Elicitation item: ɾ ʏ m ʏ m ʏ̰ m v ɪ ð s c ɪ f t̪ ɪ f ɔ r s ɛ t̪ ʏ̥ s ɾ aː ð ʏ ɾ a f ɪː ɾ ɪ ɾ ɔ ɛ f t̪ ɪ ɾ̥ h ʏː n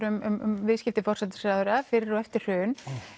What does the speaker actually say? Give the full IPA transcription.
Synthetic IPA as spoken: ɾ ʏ m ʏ m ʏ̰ m v ɪ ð s c ɪ f t̪ ɪ f ɔ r s ɛ t̪ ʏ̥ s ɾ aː ð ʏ ɾ a f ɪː ɾ ɪ ɾ ɔ ɛ f t̪ ɪ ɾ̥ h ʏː n